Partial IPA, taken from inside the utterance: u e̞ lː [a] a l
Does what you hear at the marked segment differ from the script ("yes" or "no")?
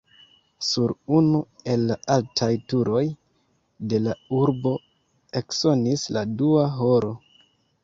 no